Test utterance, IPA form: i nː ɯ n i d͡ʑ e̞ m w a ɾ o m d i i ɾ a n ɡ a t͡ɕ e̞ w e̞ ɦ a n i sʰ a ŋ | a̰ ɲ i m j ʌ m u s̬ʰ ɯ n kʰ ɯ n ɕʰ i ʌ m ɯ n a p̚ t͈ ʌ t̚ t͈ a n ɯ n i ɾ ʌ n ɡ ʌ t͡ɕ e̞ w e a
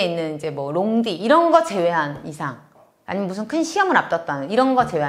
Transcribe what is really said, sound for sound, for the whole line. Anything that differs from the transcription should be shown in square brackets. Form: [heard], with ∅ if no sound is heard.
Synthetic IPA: i nː ɯ n i d͡ʑ e̞ m w [ʌ] ɾ o [ŋ] d i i ɾ [ʌ] n ɡ [ʌ] t͡ɕ e̞ w e̞ ɦ a n i sʰ a ŋ | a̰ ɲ i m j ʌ m u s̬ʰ ɯ n kʰ ɯ n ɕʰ i ʌ m ɯ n a p̚ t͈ ʌ t̚ t͈ a n ɯ n i ɾ ʌ n ɡ ʌ t͡ɕ e̞ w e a